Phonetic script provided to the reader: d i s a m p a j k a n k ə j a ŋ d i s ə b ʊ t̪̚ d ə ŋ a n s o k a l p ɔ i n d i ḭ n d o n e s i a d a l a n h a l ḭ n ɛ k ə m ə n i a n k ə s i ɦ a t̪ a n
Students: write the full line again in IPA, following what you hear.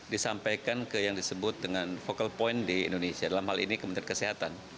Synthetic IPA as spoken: d i s a m p a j k a n k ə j a ŋ d i s ə b ʊ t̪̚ d ə ŋ a n f o k a l p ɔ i n d i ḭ n d o n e s i a d a l a m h a l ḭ n i k ə m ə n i a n k ə s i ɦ a t̪ a n